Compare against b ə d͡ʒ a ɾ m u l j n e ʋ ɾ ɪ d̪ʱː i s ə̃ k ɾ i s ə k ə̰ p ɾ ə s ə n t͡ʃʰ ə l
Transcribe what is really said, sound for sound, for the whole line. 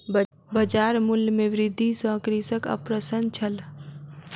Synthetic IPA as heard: b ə d͡ʒ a ɾ m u l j m e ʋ ɾ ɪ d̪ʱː i s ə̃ k ɾ i s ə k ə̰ p ɾ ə s ə n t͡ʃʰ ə l